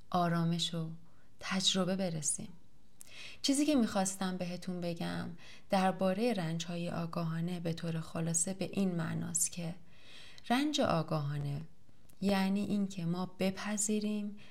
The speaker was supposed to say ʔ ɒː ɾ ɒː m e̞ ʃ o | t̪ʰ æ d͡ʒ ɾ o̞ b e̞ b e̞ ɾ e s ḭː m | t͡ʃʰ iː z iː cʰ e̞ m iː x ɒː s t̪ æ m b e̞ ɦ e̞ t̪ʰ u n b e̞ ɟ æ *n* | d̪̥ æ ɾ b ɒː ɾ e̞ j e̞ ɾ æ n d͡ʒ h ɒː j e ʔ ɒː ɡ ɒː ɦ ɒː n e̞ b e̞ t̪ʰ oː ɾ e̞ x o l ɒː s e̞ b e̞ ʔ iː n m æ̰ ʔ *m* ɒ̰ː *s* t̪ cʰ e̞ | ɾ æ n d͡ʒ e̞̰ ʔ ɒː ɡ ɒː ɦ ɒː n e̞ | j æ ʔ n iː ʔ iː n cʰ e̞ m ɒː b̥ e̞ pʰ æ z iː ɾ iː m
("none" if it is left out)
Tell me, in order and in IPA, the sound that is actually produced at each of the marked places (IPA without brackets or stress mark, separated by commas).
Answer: m, n, s